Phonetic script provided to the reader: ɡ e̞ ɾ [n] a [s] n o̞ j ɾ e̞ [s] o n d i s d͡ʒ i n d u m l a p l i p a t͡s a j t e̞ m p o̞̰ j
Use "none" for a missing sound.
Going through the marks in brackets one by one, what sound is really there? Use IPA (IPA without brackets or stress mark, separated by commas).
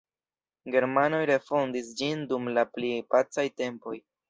m, none, f